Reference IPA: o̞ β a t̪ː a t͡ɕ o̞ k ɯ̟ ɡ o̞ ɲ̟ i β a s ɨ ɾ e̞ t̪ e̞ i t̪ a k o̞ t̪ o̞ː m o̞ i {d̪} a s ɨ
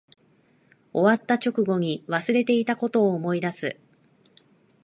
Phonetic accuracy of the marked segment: correct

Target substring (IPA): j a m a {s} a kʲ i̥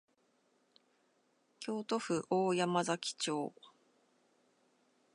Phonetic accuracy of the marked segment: incorrect: z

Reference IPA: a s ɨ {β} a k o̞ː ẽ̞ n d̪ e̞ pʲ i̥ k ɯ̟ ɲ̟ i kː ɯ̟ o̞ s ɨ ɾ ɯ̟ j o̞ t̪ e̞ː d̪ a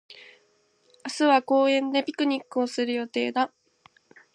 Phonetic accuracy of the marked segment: correct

